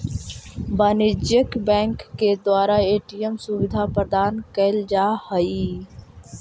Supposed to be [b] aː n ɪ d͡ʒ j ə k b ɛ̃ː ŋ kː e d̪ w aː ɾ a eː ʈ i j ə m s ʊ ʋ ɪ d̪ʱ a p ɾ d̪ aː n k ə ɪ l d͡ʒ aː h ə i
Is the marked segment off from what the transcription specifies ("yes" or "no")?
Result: no